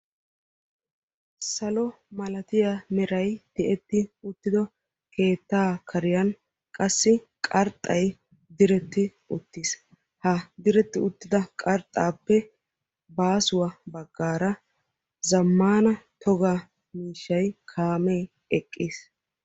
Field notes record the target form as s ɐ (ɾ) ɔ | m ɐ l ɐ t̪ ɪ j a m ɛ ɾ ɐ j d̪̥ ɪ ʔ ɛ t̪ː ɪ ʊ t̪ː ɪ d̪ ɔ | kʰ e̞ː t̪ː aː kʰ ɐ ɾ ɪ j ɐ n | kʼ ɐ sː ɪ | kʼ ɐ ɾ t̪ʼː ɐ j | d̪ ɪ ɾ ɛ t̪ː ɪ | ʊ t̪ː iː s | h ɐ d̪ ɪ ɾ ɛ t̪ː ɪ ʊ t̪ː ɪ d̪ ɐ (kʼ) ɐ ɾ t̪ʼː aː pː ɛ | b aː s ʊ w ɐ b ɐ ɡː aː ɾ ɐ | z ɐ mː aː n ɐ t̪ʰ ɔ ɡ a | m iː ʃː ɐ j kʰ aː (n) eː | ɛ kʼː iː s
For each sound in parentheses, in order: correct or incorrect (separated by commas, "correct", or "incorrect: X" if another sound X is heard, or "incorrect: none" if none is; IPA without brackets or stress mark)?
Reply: incorrect: l, correct, incorrect: m